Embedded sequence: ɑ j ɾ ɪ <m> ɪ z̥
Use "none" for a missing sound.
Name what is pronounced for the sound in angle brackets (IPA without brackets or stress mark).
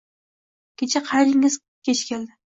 ŋ